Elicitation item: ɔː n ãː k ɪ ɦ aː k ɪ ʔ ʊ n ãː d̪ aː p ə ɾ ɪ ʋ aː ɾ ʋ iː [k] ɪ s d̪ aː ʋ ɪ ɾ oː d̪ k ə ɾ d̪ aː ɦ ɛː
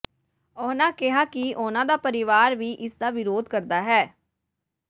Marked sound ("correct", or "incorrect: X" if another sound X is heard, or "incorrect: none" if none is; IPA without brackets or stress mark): incorrect: ʔ